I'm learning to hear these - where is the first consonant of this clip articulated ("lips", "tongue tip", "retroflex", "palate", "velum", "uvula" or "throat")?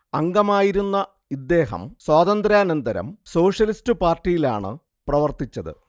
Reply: velum